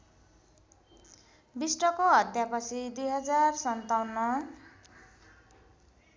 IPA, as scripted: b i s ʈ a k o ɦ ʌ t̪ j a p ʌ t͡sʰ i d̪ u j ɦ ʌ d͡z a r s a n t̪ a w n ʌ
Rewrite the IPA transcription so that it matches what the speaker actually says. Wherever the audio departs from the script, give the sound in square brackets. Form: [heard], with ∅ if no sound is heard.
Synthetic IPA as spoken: b i s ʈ [ʌ] k o ɦ ʌ t̪ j a p ʌ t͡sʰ i d̪ u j ɦ ʌ d͡z a r s [ʌ] n t̪ a w n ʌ